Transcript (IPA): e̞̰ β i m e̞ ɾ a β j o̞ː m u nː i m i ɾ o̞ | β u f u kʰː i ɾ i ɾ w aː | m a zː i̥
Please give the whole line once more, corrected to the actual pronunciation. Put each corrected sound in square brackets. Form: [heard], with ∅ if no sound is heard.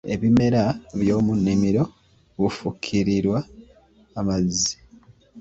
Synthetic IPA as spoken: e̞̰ β i m e̞ ɾ a β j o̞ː m u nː i m i ɾ o̞ | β u f u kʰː i ɾ i ɾ w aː | m a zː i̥